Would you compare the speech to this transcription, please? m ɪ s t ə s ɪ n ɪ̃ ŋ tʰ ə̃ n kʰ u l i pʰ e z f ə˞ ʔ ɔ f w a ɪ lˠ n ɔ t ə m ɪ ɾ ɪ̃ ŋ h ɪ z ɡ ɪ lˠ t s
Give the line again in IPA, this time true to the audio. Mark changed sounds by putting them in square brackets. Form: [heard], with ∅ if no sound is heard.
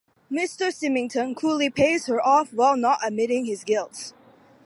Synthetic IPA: m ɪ s t ə s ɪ [m] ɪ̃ ŋ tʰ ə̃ n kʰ u l i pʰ e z [h] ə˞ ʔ ɔ f w a ɪ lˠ n ɔ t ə m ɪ ɾ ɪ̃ ŋ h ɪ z ɡ ɪ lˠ t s

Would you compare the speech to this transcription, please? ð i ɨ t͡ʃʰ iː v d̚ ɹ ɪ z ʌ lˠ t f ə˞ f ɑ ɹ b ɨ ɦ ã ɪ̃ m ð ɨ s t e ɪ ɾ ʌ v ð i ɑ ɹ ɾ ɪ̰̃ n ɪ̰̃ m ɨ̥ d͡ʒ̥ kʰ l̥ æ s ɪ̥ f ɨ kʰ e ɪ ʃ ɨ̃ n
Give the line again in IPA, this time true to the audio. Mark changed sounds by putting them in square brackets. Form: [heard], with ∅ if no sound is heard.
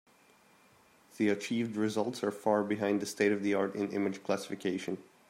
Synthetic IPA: ð i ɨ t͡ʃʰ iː v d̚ ɹ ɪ z ʌ lˠ t [s] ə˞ f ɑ ɹ b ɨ ɦ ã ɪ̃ [n] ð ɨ s t e ɪ ɾ ʌ v ð i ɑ ɹ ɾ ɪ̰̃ n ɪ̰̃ m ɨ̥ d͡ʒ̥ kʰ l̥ æ s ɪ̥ f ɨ kʰ e ɪ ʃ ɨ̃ n

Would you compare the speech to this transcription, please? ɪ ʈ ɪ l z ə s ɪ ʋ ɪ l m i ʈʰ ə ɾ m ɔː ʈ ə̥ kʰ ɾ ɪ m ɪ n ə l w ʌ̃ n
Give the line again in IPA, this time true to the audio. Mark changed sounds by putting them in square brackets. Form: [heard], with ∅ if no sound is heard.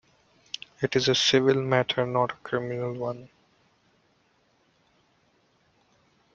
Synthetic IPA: ɪ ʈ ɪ [∅] z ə s ɪ ʋ ɪ l m [æ] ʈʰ ə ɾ [n] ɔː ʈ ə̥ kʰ ɾ ɪ m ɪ n ə l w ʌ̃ n

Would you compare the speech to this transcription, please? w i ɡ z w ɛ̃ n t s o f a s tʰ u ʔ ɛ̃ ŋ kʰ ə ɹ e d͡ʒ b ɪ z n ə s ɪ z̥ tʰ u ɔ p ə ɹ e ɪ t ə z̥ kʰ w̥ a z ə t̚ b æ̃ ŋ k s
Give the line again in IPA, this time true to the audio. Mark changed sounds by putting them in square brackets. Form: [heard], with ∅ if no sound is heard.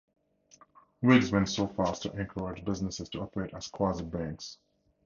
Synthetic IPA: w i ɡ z w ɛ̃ n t s o f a s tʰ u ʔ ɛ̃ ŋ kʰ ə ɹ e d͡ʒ b ɪ z n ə s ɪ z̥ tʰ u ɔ p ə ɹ e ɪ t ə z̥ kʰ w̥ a z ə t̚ b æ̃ ŋ k s

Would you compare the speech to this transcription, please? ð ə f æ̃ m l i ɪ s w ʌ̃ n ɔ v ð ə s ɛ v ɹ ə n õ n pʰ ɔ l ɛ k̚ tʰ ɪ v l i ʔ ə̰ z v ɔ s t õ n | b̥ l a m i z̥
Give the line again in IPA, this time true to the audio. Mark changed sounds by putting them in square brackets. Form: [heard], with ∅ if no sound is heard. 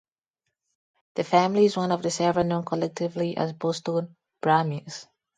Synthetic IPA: ð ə f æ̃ m l i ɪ [z] w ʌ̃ n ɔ v ð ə s ɛ v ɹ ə n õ n [kʰ] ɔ l ɛ k̚ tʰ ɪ v l i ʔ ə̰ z [b] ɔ s t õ n | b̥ [ɹ] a m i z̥

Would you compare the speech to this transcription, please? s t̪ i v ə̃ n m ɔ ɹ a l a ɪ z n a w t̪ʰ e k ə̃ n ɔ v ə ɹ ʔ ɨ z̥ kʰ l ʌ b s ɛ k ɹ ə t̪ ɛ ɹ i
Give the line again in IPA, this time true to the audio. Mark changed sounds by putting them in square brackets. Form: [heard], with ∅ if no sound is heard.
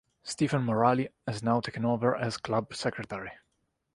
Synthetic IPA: s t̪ i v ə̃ n m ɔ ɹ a l [i] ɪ z n a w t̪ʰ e k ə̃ n [o] v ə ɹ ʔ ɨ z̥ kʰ l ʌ b s ɛ k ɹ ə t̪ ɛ ɹ i

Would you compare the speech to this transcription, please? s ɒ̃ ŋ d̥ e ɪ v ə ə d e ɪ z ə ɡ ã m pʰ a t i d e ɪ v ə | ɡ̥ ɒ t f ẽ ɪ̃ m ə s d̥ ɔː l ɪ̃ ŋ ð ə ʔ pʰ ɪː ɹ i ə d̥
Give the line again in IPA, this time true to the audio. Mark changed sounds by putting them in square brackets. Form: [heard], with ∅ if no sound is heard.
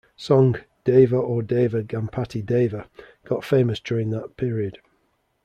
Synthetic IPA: s ɒ̃ ŋ d̥ e ɪ v ə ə d e ɪ [v] ə ɡ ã m pʰ a t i d e ɪ v ə | ɡ̥ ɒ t f ẽ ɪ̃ m ə s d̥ ɔː [ɹ] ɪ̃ ŋ ð ə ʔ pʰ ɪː ɹ i ə d̥

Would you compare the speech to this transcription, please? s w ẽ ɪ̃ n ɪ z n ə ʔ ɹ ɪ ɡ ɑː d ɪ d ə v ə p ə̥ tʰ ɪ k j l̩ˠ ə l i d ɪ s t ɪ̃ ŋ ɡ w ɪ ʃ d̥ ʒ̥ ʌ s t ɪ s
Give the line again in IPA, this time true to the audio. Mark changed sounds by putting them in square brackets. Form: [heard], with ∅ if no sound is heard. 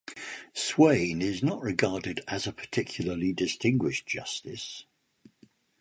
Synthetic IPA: s w ẽ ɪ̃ n ɪ z n ə ʔ ɹ ɪ ɡ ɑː d ɪ d ə [z] ə [pʰ] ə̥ tʰ ɪ [kʰ] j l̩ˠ ə l i d ɪ s t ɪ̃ ŋ ɡ w ɪ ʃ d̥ ʒ̥ ʌ s t ɪ s

